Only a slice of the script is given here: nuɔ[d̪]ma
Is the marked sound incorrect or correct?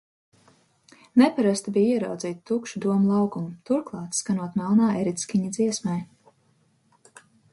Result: incorrect